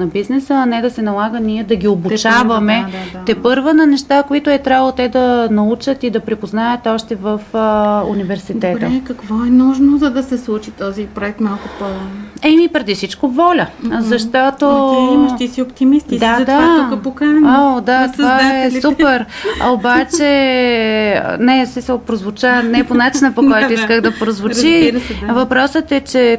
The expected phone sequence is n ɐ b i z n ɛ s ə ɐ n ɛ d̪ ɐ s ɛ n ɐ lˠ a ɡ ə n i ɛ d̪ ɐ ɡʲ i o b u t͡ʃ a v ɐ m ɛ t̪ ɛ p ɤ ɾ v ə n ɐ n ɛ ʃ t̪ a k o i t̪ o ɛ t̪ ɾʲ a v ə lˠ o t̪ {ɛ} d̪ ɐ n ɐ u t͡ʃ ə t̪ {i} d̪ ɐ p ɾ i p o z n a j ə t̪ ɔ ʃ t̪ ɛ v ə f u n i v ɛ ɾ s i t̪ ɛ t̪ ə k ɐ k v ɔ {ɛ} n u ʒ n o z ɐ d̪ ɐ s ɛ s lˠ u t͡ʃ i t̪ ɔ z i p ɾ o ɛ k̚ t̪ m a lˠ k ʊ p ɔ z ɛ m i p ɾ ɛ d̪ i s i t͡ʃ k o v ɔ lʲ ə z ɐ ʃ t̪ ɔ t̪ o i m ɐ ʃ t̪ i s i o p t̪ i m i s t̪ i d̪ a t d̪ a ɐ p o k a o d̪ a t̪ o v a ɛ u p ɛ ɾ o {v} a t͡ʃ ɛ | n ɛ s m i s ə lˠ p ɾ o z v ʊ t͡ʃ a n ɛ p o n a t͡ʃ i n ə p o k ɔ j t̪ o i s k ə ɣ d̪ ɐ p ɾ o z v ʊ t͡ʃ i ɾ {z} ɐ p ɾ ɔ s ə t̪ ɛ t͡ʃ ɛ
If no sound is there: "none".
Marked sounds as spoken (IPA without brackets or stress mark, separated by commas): ɛ, i, ɛ, b, v